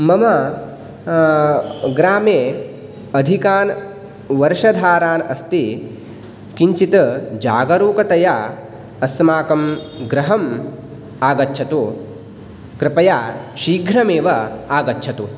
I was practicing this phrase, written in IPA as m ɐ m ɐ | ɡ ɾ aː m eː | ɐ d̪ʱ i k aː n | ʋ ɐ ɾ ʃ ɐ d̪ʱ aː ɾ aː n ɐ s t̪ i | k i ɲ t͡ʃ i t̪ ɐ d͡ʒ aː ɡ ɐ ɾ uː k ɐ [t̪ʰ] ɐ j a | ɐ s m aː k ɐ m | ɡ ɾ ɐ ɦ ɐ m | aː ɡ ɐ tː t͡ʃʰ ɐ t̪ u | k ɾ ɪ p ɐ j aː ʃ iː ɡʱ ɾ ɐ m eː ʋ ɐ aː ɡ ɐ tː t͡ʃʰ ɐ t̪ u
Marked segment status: incorrect: t̪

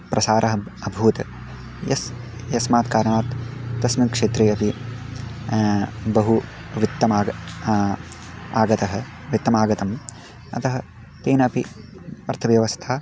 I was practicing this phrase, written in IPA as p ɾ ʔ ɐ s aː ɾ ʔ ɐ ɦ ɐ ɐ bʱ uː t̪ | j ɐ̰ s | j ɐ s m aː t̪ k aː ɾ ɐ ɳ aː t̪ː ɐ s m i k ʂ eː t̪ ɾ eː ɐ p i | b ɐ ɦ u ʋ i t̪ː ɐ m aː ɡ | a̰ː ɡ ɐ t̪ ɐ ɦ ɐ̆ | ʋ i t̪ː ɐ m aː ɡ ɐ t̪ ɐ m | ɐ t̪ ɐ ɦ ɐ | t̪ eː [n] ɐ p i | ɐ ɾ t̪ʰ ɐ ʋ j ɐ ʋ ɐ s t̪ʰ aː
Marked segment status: correct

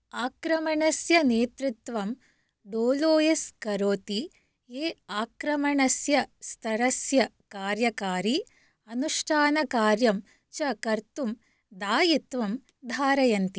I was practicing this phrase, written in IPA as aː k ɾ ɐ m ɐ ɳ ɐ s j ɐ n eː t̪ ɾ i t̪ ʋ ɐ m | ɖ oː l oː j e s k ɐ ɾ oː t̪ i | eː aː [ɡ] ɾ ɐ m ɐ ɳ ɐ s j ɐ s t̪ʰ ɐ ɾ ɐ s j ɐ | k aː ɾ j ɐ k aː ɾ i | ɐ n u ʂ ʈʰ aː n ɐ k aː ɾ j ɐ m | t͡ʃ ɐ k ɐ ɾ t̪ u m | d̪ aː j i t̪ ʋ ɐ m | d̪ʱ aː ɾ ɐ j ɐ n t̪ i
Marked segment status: incorrect: k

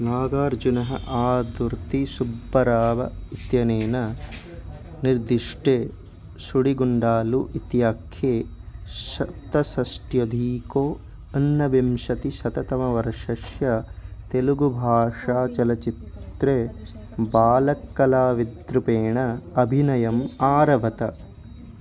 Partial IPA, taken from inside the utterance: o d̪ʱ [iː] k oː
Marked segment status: correct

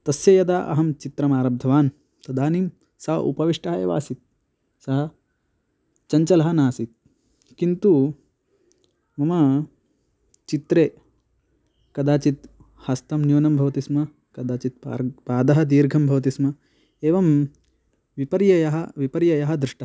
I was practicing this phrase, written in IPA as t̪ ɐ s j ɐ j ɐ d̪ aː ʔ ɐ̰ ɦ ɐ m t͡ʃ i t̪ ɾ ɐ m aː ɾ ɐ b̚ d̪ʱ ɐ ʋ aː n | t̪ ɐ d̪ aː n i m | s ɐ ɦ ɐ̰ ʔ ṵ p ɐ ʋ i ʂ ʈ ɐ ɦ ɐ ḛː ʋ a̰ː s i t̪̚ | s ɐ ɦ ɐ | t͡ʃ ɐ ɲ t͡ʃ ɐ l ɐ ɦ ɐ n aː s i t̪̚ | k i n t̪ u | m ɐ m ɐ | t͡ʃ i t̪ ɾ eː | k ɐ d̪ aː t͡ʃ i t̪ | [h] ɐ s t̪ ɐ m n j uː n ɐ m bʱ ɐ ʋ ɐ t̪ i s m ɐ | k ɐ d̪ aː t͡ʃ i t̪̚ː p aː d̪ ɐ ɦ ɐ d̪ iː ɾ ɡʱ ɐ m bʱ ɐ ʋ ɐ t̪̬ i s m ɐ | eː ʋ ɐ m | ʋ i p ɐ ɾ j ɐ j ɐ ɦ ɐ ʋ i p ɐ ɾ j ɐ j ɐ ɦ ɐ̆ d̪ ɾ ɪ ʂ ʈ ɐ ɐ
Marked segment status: correct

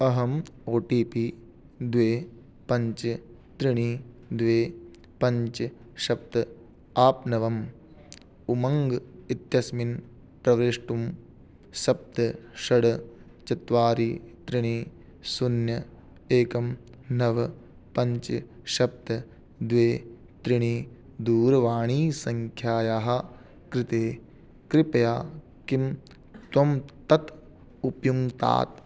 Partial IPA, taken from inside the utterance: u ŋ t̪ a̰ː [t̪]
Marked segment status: correct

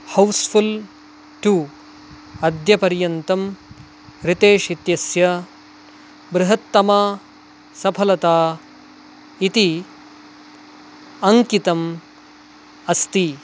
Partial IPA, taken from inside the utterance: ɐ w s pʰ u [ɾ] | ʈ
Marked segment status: incorrect: l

